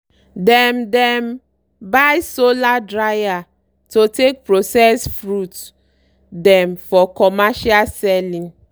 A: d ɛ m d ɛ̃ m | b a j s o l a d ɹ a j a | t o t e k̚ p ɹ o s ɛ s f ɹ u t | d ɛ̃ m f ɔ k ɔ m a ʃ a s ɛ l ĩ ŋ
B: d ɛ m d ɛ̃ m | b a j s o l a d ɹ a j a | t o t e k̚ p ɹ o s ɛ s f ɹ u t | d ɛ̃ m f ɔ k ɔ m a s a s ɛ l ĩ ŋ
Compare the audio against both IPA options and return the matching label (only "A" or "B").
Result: A